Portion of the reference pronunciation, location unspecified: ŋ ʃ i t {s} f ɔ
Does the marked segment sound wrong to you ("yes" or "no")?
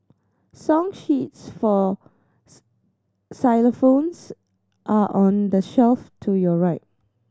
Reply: no